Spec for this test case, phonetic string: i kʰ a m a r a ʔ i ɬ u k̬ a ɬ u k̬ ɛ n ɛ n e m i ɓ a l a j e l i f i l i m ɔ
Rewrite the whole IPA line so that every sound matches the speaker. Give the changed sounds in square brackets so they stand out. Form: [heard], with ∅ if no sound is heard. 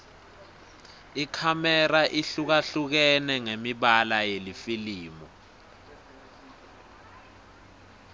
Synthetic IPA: i kʰ a m [ɛ] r a ʔ i ɬ u k̬ a ɬ u k̬ ɛ n ɛ [ŋ] e m i ɓ a l a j e l i f i l [iː] m ɔ